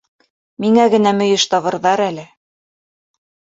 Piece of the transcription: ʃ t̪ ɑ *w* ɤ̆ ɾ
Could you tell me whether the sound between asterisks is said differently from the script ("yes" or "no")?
yes